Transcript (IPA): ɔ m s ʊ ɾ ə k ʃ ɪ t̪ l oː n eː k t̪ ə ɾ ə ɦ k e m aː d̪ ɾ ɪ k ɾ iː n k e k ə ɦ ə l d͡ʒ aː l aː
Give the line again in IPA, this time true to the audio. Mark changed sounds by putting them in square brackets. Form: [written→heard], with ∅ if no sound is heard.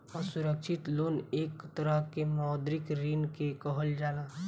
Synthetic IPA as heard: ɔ [m→∅] s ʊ ɾ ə k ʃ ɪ t̪ l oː n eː k t̪ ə ɾ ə ɦ k e m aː d̪ ɾ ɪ k ɾ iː n k e k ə ɦ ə l d͡ʒ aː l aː